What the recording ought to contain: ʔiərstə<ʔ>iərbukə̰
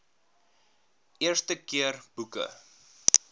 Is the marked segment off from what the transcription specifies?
yes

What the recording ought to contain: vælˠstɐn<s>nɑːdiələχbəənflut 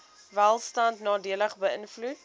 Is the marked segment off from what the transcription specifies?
yes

